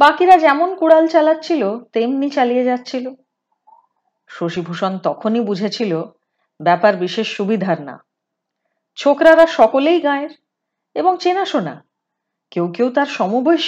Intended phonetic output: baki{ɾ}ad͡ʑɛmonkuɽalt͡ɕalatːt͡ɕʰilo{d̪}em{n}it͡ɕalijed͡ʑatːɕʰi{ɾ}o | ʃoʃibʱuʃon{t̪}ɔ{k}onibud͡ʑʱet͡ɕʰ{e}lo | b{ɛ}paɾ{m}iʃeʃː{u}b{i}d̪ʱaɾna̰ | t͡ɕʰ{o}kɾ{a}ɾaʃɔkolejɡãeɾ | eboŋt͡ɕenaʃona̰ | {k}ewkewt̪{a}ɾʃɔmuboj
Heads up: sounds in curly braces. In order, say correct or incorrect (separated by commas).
correct, incorrect, correct, incorrect, correct, incorrect, incorrect, correct, incorrect, correct, correct, correct, correct, correct, correct